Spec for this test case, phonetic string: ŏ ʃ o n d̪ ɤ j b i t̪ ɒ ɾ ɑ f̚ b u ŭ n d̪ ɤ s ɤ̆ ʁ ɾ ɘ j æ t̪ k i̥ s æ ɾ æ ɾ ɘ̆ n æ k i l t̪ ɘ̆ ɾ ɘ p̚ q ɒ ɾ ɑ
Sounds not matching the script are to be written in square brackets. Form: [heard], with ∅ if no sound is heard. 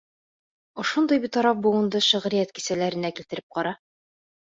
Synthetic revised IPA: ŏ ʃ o n d̪ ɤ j b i t̪ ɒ ɾ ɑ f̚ b u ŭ n d̪ ɤ [ʃ] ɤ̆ ʁ ɾ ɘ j æ t̪ k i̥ s æ [l] æ ɾ ɘ̆ n æ k i l t̪ ɘ̆ ɾ ɘ p̚ q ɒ ɾ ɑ